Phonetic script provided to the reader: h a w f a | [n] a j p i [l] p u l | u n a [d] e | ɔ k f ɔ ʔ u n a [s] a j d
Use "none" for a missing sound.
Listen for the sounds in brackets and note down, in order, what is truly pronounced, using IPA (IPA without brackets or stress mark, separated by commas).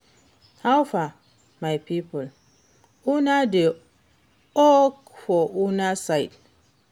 m, none, d, s